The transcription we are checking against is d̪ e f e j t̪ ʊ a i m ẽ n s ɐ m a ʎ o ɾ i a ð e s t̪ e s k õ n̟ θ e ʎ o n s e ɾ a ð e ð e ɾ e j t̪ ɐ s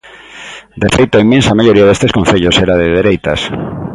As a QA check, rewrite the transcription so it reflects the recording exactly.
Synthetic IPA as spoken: d̪ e f e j t̪ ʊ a i m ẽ n s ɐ m a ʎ o ɾ i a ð e s t̪ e s k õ n̟ θ e ʎ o s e ɾ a ð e ð e ɾ e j t̪ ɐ s